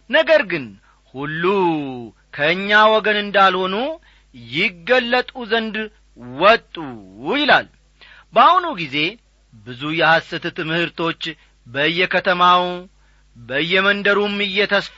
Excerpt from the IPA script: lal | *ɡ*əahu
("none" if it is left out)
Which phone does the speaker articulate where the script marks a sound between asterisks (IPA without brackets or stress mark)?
b